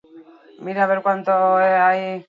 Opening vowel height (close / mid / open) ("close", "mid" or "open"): close